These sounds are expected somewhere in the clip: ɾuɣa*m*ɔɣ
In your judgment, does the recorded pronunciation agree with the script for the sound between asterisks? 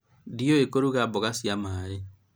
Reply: no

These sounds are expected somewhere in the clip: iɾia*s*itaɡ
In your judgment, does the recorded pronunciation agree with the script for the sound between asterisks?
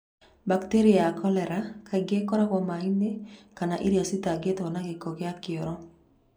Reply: yes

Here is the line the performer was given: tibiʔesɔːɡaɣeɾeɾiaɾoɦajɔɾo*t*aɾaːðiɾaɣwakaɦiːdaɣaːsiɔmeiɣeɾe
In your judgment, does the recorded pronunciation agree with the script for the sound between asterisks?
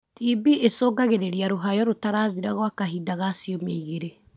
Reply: yes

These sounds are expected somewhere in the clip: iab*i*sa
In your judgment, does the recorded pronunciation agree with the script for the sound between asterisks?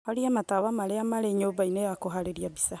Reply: yes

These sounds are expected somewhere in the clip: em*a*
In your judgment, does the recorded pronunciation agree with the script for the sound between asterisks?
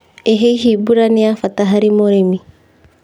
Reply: no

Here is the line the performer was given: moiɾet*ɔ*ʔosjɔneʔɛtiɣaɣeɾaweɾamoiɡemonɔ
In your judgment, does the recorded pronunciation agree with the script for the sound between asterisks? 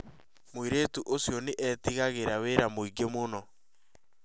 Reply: no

